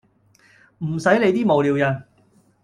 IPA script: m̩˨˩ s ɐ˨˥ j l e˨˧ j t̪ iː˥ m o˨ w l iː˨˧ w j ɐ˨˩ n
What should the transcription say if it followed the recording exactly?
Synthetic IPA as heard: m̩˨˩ s ɐ˨˥ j l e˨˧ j t̪ iː˥ m o˨ w l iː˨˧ w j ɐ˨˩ n